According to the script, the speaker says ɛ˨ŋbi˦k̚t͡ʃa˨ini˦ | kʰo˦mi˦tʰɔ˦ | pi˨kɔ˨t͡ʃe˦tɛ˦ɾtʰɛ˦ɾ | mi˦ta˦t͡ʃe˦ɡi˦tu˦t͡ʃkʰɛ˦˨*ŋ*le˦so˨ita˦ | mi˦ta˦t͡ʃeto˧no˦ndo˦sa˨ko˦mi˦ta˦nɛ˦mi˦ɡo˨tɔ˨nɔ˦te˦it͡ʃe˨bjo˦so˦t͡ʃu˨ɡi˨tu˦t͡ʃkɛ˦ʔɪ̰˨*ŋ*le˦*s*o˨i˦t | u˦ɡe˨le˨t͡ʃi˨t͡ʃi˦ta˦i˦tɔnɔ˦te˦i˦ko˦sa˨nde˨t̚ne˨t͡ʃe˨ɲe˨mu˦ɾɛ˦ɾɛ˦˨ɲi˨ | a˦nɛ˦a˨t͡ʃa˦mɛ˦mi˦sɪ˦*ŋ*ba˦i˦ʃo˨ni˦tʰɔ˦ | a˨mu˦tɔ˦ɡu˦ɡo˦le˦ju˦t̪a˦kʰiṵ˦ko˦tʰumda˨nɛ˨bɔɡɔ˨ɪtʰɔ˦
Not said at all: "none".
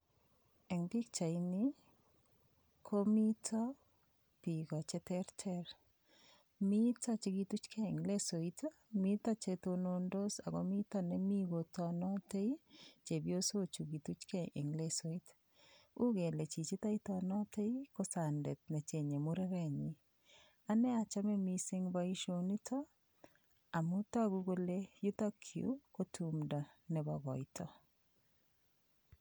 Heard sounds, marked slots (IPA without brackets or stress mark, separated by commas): ŋ, ŋ, s, ŋ